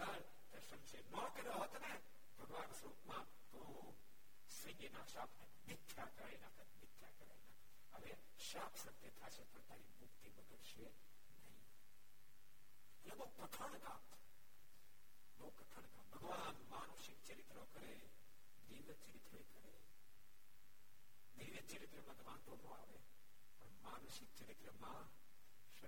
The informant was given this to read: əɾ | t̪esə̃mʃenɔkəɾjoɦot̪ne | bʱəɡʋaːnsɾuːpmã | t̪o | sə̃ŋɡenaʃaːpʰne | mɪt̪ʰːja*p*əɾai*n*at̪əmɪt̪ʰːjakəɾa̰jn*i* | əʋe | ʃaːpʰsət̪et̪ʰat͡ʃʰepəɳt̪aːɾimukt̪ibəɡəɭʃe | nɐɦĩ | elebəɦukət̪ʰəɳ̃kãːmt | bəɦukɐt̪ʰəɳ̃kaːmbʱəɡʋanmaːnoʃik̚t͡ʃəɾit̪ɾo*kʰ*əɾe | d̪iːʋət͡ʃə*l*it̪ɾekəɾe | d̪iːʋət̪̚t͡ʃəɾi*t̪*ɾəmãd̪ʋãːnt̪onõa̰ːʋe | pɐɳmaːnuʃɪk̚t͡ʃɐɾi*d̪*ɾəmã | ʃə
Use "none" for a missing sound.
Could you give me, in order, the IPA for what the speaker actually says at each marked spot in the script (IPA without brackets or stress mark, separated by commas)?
k, n, a, k, ɾ, t̪, t̪